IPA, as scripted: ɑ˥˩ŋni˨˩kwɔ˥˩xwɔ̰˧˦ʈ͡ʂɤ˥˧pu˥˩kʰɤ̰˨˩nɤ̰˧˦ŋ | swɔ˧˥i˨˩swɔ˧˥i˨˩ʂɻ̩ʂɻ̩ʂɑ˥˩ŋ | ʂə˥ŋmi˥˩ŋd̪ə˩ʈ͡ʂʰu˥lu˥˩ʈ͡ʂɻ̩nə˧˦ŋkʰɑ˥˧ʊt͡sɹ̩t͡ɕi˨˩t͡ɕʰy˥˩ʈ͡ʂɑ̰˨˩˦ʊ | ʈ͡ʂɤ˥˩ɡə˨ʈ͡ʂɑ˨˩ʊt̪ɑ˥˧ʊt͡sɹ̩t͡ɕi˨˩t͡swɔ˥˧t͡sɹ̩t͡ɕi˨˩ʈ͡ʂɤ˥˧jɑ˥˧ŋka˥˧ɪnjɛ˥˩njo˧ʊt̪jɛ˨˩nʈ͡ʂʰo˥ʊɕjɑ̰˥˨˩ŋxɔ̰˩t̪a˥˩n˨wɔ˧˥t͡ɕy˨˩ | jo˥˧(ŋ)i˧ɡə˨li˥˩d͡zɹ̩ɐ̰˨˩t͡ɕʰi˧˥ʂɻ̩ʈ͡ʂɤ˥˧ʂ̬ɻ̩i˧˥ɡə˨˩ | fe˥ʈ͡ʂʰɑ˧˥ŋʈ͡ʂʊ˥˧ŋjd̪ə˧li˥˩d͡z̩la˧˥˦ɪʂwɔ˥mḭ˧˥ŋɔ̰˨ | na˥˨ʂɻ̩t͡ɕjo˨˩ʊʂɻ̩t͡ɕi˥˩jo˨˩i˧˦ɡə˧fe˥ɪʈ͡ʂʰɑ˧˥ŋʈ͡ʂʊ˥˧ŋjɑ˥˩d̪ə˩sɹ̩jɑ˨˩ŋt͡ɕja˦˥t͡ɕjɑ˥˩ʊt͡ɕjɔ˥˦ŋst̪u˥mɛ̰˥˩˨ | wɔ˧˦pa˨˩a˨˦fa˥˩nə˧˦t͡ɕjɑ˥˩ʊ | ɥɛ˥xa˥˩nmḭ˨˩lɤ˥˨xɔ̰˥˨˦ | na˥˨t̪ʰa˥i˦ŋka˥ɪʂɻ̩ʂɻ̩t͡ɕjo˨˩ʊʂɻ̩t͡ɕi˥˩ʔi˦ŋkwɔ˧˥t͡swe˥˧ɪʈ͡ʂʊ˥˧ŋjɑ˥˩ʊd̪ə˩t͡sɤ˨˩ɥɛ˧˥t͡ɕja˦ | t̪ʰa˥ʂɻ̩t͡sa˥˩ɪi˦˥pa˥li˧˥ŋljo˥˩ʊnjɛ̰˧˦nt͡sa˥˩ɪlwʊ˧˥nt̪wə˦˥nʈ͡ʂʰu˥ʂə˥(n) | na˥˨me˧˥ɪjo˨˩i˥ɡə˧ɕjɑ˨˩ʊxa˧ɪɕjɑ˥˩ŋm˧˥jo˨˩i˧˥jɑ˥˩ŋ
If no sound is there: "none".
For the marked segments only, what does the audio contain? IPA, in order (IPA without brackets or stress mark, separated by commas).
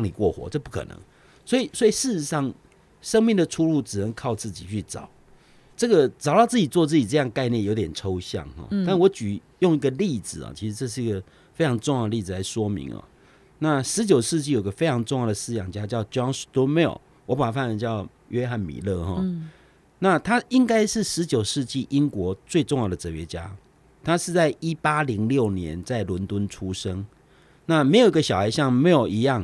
ŋ, ŋ